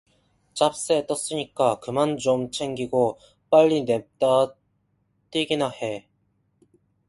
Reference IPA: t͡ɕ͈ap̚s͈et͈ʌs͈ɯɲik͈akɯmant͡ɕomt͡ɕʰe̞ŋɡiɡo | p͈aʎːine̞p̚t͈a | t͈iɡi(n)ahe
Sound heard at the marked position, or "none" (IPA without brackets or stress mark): n